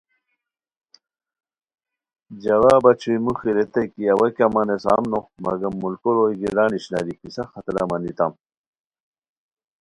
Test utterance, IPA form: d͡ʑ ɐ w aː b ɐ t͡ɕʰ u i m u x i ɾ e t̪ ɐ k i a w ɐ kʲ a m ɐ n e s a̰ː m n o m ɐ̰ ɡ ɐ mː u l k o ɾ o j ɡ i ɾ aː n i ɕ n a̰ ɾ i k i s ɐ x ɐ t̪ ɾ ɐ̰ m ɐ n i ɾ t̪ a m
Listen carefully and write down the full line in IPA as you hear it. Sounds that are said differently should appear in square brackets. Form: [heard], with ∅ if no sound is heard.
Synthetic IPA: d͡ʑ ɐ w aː b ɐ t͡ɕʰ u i m u x i ɾ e t̪ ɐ k i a w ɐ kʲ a m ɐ n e s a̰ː m n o m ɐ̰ ɡ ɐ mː u l k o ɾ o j ɡ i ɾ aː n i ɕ n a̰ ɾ i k i s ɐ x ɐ t̪ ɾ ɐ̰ m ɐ n i [∅] t̪ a m